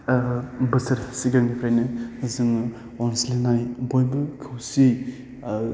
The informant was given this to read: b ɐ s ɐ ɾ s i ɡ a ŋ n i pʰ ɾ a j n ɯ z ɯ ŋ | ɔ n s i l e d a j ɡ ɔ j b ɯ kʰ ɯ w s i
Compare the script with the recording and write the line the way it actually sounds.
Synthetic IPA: b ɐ s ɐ ɾ s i ɡ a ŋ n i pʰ ɾ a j n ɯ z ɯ ŋ | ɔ n s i l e n a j b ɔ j b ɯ kʰ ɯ w s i